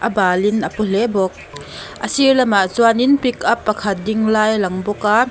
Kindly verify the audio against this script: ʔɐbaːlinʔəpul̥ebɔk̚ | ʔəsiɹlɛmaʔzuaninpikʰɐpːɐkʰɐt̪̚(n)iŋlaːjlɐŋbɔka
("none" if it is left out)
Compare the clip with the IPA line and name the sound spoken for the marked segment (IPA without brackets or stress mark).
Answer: d